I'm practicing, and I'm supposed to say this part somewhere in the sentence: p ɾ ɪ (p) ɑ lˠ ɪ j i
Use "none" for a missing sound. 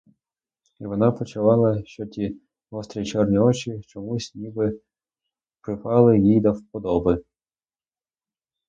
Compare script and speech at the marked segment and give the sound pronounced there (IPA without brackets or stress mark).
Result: p